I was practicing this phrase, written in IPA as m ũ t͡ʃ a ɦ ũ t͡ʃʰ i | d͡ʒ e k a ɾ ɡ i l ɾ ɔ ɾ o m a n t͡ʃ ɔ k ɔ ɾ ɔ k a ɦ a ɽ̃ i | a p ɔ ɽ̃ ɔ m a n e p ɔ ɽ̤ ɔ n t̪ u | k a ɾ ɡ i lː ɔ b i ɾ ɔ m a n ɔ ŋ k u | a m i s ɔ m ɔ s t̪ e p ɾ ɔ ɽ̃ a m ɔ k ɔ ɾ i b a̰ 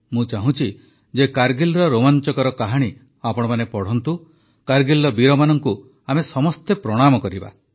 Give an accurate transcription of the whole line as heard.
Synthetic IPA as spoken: m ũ t͡ʃ a ɦ ũ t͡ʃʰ i | d͡ʒ e k a ɾ ɡ i l ɾ ɔ ɾ o m a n t͡ʃ ɔ k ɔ ɾ ɔ k a ɦ a ɽ̃ i | a p ɔ ɽ̃ ɔ m a n e p ɔ ɽ̤ ɔ n t̪ u | k a ɾ ɡ i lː ɔ b i ɾ ɔ m a n ɔ ŋ k u | a m e s ɔ m ɔ s t̪ e p ɾ ɔ ɽ̃ a m ɔ k ɔ ɾ i b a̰